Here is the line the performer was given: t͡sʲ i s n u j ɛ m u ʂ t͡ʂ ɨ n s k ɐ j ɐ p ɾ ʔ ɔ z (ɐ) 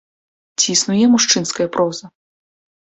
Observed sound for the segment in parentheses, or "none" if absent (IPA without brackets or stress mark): ɐ